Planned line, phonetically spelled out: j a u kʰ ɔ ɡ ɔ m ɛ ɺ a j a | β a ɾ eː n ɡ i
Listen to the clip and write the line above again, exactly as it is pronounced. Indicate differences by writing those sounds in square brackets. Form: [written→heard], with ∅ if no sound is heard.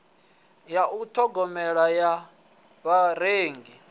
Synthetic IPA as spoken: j a u [kʰ→tʰ] ɔ ɡ ɔ m ɛ ɺ a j a | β a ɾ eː [n→ŋ] ɡ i